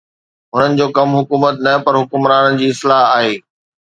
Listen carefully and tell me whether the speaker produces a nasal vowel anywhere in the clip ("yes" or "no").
no